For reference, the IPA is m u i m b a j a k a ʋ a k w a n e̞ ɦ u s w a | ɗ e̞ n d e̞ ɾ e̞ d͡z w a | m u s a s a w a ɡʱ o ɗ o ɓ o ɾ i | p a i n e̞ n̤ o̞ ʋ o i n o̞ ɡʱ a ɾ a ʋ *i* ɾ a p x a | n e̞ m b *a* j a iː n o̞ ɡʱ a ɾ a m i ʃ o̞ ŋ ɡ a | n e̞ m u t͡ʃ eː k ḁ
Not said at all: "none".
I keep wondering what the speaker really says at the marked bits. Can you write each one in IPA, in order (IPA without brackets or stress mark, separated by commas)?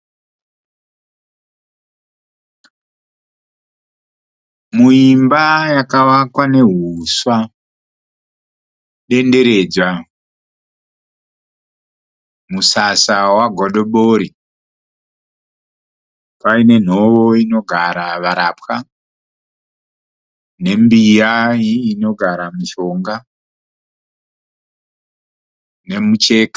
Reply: a, i